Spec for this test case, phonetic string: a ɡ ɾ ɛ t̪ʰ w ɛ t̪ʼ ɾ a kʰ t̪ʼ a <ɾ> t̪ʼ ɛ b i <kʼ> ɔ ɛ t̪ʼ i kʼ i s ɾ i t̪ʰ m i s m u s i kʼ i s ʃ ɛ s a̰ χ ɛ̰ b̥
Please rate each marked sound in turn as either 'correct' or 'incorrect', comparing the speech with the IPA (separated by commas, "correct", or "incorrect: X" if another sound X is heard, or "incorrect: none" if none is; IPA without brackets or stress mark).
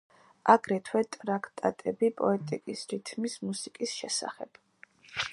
incorrect: none, incorrect: pʼ